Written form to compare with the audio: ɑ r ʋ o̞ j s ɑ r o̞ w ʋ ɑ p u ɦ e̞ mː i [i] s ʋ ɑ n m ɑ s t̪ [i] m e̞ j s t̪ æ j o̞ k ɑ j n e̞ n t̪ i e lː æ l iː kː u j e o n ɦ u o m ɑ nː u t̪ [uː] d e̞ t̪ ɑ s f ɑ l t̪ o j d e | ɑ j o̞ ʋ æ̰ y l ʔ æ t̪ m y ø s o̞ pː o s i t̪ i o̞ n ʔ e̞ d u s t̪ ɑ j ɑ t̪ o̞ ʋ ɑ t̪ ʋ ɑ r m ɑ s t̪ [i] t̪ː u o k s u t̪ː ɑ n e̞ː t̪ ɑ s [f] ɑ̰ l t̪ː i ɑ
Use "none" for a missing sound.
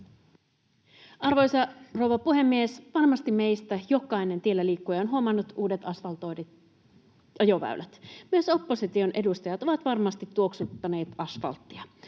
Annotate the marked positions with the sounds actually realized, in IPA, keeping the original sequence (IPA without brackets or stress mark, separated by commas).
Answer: e, i, uː, i, f